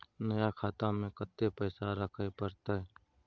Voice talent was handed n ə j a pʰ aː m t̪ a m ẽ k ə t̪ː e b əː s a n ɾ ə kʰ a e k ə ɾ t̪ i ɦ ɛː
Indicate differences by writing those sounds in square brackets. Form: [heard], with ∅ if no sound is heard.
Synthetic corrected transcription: n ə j a [kʰ] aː [∅] t̪ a m ẽ k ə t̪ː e [p] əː s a [∅] ɾ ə kʰ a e [p] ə ɾ t̪ [a] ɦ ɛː